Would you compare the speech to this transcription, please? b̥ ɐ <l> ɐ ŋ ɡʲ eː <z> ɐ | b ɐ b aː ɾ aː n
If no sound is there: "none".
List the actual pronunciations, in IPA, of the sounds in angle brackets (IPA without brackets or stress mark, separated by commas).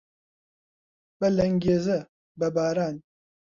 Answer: l, z